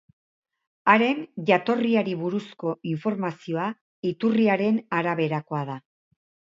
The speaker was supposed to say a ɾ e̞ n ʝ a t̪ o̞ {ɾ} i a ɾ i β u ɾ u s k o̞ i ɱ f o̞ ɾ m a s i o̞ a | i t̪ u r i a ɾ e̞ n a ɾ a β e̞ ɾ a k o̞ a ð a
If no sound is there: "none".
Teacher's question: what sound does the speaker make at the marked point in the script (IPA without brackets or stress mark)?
r